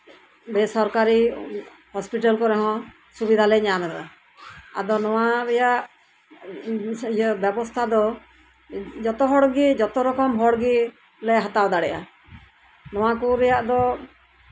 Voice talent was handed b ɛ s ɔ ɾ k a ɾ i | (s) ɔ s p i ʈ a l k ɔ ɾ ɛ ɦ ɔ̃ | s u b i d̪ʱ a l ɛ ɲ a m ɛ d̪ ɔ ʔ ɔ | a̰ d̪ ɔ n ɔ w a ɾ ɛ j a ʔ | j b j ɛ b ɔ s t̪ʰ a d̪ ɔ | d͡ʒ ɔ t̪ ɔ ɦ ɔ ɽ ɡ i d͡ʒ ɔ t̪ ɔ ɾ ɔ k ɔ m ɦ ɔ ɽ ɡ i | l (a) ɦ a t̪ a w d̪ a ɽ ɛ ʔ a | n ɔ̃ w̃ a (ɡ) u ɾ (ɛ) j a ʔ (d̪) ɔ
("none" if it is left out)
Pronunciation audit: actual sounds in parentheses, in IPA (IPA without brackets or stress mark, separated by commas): h, ɛ, k, ɛ, d̪